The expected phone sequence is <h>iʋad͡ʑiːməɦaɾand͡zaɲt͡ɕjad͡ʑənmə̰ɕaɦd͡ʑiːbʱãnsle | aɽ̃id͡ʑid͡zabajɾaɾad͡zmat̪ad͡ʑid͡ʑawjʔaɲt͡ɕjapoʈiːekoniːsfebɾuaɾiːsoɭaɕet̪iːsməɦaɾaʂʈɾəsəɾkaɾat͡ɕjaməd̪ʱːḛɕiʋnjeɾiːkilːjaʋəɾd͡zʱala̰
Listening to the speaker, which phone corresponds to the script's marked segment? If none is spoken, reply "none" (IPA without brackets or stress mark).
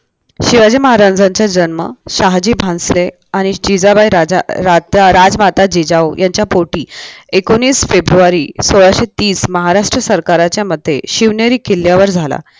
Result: ɕ